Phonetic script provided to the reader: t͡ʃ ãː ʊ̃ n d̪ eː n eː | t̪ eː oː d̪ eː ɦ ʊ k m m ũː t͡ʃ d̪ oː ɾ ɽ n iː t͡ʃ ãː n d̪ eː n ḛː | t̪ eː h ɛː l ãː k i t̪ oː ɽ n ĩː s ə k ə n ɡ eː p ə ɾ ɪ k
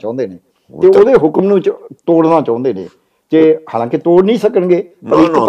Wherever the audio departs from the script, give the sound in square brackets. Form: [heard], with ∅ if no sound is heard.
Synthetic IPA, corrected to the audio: t͡ʃ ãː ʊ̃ n d̪ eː n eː | t̪ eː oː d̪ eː ɦ ʊ k m [n] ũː t͡ʃ [t̪] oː [∅] ɽ n [aː] t͡ʃ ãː n d̪ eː n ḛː | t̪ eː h [aː] l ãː k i t̪ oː ɽ n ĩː s ə k ə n ɡ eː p ə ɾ ɪ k